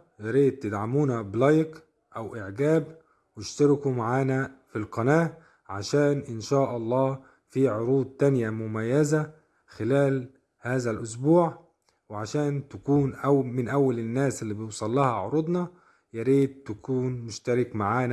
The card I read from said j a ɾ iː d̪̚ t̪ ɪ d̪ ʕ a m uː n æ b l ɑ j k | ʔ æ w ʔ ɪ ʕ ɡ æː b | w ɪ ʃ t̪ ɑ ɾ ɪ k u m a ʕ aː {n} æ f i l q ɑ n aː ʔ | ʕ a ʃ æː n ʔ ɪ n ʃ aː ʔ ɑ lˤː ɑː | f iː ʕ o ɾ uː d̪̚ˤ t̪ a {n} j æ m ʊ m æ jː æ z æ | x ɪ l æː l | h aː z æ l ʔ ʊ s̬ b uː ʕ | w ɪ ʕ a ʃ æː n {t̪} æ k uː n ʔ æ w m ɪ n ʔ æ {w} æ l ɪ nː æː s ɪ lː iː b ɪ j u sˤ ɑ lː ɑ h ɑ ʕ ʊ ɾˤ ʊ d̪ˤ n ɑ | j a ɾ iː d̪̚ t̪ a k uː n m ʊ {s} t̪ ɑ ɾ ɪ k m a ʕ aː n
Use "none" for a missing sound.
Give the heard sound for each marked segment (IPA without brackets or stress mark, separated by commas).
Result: n, n, t̪, wː, ʃ